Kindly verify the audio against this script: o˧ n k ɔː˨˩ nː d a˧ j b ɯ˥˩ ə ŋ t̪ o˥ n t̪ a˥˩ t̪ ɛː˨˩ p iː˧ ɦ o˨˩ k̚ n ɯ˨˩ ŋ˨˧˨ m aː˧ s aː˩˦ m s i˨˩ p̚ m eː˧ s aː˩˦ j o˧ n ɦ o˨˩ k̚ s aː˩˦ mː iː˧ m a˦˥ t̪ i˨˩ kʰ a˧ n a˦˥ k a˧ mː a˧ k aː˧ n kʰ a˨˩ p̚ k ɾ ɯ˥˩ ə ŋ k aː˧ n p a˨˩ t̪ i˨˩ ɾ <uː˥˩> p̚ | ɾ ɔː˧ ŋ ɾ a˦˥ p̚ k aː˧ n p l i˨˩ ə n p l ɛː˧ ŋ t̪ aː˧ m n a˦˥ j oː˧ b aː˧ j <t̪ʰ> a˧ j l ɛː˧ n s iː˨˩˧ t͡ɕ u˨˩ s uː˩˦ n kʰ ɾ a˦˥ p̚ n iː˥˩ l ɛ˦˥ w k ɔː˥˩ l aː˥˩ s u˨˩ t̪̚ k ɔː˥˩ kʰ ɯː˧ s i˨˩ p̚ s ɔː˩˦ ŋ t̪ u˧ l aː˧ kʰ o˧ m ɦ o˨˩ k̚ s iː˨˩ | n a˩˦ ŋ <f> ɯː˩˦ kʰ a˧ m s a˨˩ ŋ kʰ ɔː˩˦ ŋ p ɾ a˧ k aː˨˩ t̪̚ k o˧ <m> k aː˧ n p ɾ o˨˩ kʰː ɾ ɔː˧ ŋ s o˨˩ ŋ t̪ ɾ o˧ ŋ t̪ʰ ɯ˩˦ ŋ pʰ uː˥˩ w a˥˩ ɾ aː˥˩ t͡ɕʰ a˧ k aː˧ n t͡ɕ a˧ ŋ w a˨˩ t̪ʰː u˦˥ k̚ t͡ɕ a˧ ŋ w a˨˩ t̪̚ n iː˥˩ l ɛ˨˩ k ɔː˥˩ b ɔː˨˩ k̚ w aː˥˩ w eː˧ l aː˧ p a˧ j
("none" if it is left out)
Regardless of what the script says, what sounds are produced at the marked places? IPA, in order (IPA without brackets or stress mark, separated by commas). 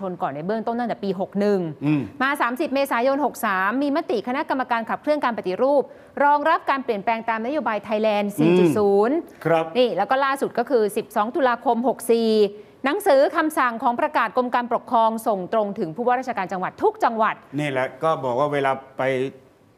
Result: uː˥˩, t̪ʰ, s, m